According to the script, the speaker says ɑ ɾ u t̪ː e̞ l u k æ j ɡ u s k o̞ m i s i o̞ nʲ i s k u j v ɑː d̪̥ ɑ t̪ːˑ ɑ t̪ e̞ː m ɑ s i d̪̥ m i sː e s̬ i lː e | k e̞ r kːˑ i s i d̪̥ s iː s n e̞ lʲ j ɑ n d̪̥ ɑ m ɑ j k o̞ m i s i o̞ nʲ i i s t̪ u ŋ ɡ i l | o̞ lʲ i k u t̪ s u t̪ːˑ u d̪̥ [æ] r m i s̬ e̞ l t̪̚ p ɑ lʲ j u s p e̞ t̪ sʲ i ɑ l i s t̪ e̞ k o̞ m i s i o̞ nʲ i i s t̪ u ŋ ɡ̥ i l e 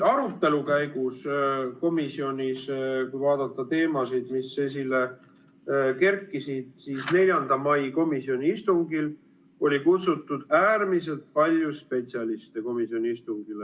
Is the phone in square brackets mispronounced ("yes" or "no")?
yes